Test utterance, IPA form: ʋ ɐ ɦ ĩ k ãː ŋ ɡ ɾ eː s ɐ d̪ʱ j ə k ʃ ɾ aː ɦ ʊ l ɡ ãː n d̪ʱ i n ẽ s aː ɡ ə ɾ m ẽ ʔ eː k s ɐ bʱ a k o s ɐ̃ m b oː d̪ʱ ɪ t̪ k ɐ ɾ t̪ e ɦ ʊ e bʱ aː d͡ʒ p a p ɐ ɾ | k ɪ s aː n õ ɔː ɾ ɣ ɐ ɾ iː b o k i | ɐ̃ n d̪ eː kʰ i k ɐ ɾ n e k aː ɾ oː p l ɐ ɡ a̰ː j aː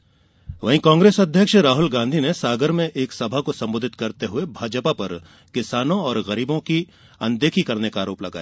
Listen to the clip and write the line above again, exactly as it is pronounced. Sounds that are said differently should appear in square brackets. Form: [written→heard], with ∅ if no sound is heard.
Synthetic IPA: ʋ ɐ ɦ ĩ k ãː ŋ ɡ ɾ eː s ɐ d̪ʱ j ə k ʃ ɾ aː ɦ ʊ l ɡ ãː n d̪ʱ i n [ẽ→e] s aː ɡ ə ɾ m ẽ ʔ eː k s ɐ bʱ a k o s ɐ̃ m b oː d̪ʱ ɪ t̪ k ɐ ɾ t̪ e ɦ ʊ e bʱ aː d͡ʒ p a p ɐ ɾ | k ɪ s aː n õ ɔː ɾ ɣ ɐ ɾ iː b [o→õ] k i | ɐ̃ n d̪ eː kʰ i k ɐ ɾ n e k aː ɾ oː p l ɐ ɡ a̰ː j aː